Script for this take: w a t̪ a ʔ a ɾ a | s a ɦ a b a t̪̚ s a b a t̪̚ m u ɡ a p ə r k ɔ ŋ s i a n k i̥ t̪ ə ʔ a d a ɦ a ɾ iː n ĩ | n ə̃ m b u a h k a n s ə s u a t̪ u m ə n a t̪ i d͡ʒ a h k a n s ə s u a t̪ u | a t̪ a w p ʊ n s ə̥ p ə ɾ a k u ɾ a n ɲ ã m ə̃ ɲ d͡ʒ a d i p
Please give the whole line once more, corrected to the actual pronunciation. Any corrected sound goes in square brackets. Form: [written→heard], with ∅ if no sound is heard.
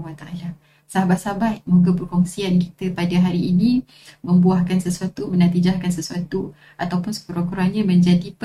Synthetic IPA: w a t̪ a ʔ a [ɾ→l] a | s a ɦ a b a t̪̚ s a b a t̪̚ m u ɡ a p ə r k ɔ ŋ s i a n k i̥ t̪ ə [ʔ→p] a d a ɦ a ɾ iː n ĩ | [n→m] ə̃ m b u a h k a n s ə s u a t̪ u m ə n a t̪ i d͡ʒ a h k a n s ə s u a t̪ u | a t̪ a w p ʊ n s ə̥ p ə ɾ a k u ɾ a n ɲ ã m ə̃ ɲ d͡ʒ a d i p